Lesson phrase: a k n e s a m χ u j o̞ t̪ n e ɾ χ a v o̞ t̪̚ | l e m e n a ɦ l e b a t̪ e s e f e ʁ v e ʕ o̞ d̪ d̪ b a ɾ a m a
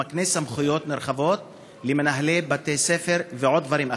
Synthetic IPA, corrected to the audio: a k n e s a m χ u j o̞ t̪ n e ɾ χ a v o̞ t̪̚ | l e m e n a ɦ l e b a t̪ e s e f e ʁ v e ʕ o̞ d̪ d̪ v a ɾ i m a